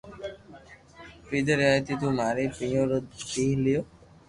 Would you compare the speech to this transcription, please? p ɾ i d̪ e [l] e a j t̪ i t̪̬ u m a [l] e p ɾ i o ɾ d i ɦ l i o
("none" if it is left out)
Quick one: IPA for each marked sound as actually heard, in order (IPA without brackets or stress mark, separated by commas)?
ɾ, ɾ